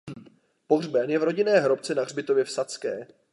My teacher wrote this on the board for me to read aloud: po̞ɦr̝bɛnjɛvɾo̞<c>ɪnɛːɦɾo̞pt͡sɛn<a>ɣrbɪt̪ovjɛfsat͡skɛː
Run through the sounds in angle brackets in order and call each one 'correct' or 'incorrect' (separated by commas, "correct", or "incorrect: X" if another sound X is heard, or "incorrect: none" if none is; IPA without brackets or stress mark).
incorrect: ɟ, correct